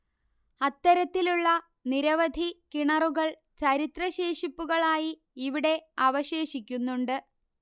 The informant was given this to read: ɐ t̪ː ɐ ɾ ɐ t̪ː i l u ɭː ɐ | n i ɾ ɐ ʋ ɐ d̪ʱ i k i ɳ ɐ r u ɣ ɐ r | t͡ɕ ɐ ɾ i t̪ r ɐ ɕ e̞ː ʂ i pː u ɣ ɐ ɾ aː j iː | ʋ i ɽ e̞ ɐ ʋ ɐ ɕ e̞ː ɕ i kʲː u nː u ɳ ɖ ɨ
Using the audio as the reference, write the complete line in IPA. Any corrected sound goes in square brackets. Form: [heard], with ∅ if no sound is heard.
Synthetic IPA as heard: ɐ t̪ː ɐ ɾ ɐ t̪ː i l u ɭː ɐ | n i ɾ ɐ ʋ ɐ d̪ʱ i k i ɳ ɐ r u ɣ ɐ [ɭ] | t͡ɕ ɐ ɾ i t̪ r ɐ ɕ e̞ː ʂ i pː u ɣ ɐ [ɭ] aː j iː | ʋ i ɽ e̞ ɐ ʋ ɐ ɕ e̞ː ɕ i kʲː u nː u ɳ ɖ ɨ